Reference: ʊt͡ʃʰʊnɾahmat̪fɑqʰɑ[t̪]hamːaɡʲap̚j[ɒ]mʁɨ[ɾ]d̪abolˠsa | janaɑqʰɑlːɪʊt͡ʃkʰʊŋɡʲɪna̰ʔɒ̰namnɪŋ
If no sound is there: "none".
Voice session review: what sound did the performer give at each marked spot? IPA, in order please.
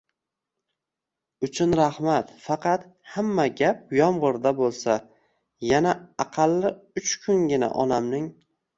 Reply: t̪, ɒ, ɾ

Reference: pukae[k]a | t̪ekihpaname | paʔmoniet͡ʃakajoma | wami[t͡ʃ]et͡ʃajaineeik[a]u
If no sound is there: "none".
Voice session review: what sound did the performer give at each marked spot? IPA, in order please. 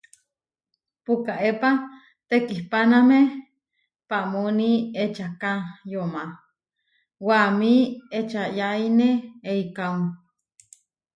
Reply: p, none, a

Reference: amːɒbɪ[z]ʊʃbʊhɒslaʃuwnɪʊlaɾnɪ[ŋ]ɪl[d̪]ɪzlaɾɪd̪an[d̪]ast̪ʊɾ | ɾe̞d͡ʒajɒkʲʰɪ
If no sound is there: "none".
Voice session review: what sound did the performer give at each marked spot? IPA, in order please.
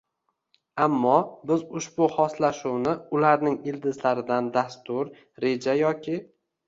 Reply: z, ŋ, d̪, d̪

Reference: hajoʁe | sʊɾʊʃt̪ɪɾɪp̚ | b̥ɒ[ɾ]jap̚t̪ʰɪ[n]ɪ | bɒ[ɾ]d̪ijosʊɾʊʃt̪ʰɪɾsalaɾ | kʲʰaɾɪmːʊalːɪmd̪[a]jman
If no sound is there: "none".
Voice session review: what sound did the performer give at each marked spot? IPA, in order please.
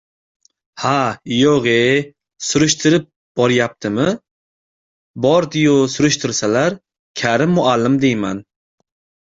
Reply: ɾ, m, ɾ, e

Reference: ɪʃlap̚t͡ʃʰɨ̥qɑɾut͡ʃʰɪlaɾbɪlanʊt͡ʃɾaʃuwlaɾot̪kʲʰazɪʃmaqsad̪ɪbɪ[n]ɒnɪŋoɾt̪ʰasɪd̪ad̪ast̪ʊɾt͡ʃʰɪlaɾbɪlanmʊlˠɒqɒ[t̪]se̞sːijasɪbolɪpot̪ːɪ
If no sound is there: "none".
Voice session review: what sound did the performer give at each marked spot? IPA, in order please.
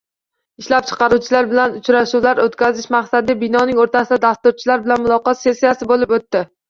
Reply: n, t̪

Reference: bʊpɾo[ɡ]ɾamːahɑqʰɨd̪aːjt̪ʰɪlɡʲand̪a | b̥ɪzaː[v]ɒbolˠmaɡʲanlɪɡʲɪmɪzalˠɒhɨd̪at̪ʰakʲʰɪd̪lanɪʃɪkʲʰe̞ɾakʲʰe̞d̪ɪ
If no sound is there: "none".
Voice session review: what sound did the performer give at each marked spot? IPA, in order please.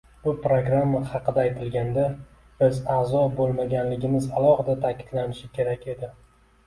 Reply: ɡ, z

